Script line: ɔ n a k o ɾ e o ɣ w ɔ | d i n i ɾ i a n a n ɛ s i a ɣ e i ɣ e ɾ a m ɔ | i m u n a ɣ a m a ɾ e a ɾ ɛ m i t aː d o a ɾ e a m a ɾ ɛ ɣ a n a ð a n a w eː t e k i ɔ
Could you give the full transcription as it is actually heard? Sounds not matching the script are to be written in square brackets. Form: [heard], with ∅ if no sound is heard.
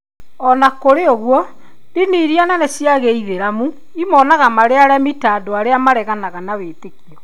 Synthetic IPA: ɔ n a k o ɾ e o ɣ w ɔ | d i n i ɾ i a n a n ɛ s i a ɣ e i [ð] e ɾ a m [u] | i m [ɔ] n a ɣ a m a ɾ e a ɾ ɛ m i t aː d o a ɾ e a m a ɾ ɛ ɣ a n a [ɣ] a n a w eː t e k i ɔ